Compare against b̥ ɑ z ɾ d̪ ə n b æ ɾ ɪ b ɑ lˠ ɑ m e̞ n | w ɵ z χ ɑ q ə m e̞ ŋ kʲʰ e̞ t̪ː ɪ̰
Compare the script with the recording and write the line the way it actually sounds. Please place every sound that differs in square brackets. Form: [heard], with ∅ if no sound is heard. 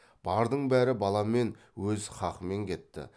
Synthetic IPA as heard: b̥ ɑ [∅] ɾ d̪ ə [ɴ] b æ ɾ ɪ b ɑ lˠ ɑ m e̞ n | w ɵ z χ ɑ q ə m e̞ ŋ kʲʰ e̞ t̪ː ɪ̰